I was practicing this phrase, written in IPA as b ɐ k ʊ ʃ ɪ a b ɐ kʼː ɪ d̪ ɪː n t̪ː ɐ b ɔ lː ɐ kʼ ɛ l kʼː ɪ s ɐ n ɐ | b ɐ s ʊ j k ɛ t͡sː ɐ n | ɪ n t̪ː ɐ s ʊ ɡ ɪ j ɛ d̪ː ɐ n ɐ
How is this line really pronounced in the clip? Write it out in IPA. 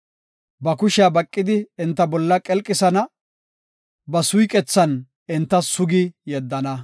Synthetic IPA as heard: b ɐ k ʊ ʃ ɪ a b ɐ kʼː ɪ d̪ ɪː n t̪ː ɐ b ɔ lː ɐ kʼ ɛ l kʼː ɪ s ɐ n ɐ | b ɐ s ʊ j kʼ ɛ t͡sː ɐ n | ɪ n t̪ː ɐ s ʊ ɡ ɪ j ɛ d̪ː ɐ n ɐ

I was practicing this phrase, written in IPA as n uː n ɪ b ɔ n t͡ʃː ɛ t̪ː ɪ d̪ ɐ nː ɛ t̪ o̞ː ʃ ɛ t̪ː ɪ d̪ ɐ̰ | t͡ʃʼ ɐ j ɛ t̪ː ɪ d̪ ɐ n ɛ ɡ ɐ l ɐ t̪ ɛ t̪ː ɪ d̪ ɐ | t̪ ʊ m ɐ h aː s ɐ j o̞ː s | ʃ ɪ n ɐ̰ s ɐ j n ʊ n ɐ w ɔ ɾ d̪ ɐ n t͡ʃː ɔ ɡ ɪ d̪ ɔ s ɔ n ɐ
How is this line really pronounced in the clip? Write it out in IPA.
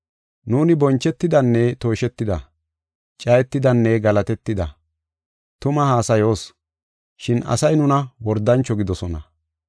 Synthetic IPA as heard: n uː n ɪ b ɔ n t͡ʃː ɛ t̪ː ɪ d̪ ɐ nː ɛ t̪ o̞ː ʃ ɛ t̪ː ɪ d̪ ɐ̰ | t͡ʃʼ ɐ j ɛ t̪ː ɪ d̪ ɐ nː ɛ ɡ ɐ l ɐ t̪ ɛ t̪ː ɪ d̪ ɐ | t̪ ʊ m ɐ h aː s ɐ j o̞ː s | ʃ ɪ n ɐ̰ s ɐ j n ʊ n ɐ w ɔ ɾ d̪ ɐ n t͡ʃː ɔ ɡ ɪ d̪ ɔ s ɔ n ɐ

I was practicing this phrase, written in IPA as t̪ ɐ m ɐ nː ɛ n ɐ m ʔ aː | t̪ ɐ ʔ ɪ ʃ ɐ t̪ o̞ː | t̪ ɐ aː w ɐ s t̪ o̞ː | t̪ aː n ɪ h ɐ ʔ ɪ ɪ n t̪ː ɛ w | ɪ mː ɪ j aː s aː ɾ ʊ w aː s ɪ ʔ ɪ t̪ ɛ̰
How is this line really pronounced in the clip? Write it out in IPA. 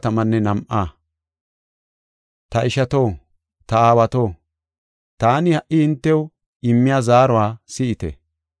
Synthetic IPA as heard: t̪ ɐ m ɐ nː ɛ n ɐ m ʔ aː | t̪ ɐ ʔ ɪ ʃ ɐ t̪ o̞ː | t̪ ɐ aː w ɐ t̪ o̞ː | t̪ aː n ɪ h ɐ ʔ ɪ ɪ n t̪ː ɛ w | ɪ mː ɪ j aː z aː ɾ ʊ w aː s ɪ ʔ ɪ t̪ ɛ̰

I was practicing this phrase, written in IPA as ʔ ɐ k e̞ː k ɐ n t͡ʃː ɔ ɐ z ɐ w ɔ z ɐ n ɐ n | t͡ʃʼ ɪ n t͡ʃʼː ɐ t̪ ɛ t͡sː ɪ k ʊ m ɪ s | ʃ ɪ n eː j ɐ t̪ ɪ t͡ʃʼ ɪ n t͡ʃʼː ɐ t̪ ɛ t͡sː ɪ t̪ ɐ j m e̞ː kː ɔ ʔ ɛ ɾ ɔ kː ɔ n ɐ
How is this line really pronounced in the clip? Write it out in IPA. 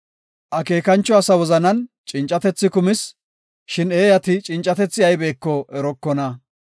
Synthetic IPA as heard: ʔ ɐ k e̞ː k ɐ n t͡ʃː ɔ ɐ s ɐ w ɔ z ɐ n ɐ n | t͡ʃʼ ɪ n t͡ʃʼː ɐ t̪ ɛ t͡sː ɪ k ʊ m ɪ s | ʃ ɪ n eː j ɐ t̪ ɪ t͡ʃʼ ɪ n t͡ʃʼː ɐ t̪ ɛ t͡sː ɪ ɐ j b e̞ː kː ɔ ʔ ɛ ɾ ɔ kː ɔ n ɐ

